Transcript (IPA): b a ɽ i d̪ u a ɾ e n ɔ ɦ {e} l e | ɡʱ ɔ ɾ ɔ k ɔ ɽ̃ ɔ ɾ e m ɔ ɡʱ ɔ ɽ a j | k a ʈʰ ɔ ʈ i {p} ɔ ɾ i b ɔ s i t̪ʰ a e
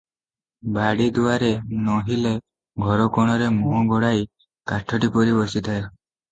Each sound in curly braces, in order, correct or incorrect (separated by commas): incorrect, correct